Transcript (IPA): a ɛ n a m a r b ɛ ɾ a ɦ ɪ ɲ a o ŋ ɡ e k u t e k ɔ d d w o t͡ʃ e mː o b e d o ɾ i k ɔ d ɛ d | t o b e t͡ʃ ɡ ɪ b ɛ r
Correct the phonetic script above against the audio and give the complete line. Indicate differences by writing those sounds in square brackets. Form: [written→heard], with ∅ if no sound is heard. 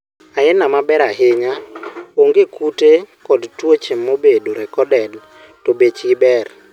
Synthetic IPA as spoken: a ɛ n a m a [r→∅] b ɛ ɾ a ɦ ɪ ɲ a o ŋ ɡ e k u t e k ɔ d [d→t] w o t͡ʃ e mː o b e d o ɾ [i→ɛ] k ɔ d ɛ d | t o b e t͡ʃ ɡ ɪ b ɛ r